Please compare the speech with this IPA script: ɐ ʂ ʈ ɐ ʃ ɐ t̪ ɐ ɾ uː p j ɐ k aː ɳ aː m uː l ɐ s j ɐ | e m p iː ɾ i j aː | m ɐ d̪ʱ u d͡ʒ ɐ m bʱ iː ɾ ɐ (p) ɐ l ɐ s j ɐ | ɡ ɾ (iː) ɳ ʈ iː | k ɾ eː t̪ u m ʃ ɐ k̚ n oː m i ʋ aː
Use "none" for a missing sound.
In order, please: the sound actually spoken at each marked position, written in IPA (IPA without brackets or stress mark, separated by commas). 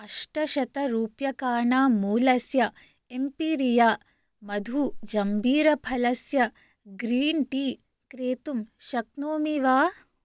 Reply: pʰ, iː